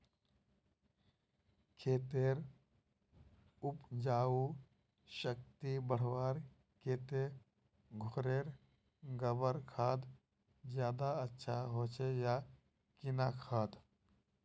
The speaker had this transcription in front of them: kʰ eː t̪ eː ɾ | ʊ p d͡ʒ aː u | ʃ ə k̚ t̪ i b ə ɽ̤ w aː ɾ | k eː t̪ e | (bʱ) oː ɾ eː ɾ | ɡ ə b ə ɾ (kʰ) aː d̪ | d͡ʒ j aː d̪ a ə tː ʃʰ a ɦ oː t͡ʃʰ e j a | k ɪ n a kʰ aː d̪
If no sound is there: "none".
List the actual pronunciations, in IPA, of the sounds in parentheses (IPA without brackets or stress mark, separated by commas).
ɡʱ, kʰ